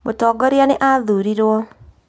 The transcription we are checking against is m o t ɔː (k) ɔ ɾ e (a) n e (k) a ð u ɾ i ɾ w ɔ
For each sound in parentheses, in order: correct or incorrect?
incorrect, correct, incorrect

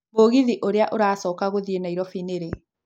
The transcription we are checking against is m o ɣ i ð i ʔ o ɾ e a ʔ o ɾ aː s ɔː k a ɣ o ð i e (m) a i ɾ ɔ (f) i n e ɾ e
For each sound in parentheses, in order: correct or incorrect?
incorrect, correct

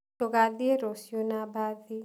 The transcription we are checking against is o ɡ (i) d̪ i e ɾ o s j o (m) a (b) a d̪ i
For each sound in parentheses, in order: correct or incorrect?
incorrect, incorrect, correct

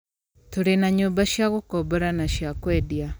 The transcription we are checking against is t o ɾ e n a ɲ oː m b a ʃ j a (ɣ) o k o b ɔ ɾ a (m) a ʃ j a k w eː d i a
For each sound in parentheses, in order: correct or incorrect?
correct, incorrect

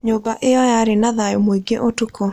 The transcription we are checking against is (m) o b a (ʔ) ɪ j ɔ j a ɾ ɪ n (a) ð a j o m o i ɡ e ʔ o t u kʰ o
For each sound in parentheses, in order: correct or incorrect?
incorrect, correct, correct

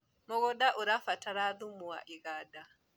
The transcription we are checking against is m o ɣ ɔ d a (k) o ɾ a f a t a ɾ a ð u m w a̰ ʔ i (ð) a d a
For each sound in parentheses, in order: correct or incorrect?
incorrect, incorrect

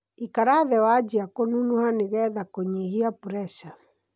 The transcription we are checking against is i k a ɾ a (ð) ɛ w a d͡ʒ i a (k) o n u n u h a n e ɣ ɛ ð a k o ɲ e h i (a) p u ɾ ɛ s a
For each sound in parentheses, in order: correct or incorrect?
correct, correct, correct

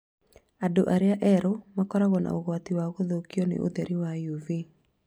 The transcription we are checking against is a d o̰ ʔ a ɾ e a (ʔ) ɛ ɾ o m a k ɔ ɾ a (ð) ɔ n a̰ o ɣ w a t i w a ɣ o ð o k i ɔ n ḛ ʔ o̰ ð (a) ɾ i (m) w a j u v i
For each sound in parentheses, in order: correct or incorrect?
correct, incorrect, incorrect, incorrect

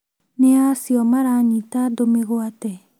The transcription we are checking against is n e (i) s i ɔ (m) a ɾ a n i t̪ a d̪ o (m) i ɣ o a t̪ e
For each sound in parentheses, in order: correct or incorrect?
incorrect, correct, correct

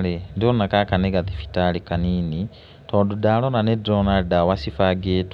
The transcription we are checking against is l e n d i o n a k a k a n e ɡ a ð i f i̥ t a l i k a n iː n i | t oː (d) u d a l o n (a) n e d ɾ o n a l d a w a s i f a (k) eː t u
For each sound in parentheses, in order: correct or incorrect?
correct, correct, incorrect

